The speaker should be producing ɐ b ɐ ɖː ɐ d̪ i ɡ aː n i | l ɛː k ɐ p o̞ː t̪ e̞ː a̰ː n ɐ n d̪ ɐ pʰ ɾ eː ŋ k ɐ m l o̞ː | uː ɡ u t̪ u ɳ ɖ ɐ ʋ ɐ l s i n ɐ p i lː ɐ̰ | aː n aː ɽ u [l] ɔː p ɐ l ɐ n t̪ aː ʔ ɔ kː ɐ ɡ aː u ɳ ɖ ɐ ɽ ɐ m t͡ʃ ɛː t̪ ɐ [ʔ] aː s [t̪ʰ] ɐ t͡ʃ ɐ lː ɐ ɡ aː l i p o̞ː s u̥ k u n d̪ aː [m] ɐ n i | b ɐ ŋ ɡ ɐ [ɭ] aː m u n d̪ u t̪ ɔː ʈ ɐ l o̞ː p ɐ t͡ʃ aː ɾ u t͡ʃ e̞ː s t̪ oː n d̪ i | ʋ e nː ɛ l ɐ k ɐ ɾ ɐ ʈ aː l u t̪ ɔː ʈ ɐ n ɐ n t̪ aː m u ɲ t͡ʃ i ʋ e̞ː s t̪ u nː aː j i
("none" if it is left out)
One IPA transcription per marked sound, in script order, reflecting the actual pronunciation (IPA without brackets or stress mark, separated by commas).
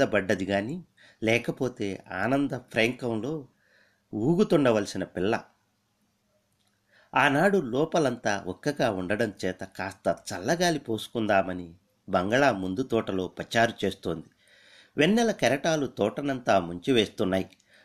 l, k, t̪, m, ɭ